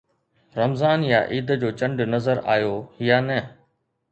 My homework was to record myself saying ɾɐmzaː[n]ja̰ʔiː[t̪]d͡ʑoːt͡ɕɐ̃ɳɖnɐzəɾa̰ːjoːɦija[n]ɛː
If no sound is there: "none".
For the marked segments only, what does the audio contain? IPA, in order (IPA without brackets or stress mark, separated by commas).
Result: n, d̪, n